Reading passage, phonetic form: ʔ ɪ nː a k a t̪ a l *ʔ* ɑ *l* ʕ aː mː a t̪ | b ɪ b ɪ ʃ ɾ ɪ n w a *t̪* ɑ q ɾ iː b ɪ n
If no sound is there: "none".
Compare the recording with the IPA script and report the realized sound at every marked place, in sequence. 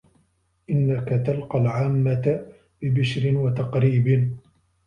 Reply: q, l, t̪

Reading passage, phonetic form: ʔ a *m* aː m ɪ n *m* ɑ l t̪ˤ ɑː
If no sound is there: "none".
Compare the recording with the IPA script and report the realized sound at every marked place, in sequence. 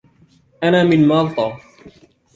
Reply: n, m

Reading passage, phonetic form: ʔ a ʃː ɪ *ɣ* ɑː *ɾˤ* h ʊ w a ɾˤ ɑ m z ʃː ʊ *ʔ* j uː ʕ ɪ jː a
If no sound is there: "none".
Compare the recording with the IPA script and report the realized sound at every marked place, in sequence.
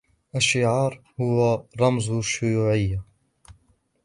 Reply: ʕ, ɾˤ, none

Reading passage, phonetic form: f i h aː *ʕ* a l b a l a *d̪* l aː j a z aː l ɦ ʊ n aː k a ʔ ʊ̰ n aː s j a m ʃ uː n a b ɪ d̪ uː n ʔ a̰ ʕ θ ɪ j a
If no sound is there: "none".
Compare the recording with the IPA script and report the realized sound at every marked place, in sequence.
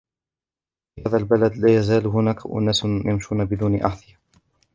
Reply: ð, d̪

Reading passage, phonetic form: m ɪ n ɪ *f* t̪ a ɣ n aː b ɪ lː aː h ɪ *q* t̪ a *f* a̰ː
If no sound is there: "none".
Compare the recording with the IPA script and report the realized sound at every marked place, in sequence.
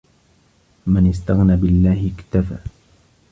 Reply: s, k, f

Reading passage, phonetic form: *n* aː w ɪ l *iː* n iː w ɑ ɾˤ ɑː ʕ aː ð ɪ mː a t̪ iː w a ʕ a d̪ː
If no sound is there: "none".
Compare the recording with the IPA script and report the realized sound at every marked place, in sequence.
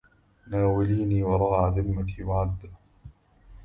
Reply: n, iː

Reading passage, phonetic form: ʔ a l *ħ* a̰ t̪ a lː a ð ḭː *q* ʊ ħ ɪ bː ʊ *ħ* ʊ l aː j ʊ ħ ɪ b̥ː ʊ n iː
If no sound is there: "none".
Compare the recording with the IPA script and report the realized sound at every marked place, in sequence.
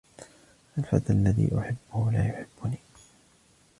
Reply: f, ʔ, h

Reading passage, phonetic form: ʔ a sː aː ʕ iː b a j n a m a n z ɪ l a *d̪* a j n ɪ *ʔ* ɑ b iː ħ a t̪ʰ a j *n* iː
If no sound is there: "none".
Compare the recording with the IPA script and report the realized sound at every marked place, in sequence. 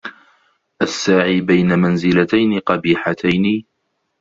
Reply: t̪, q, n

